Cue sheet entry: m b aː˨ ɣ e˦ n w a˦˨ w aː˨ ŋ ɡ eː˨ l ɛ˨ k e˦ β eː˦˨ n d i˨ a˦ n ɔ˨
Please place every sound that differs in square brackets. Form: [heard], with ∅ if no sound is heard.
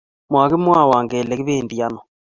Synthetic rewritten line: m [w] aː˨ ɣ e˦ [m] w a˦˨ w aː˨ ŋ ɡ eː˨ l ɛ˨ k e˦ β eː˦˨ n d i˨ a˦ n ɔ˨